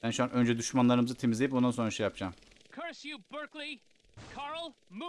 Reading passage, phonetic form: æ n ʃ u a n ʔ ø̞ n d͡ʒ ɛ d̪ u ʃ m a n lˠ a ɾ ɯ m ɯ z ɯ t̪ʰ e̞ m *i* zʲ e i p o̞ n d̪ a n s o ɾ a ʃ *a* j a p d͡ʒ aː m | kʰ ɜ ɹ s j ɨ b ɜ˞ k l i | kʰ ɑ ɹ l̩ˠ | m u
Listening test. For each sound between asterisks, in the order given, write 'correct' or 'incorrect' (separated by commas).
correct, incorrect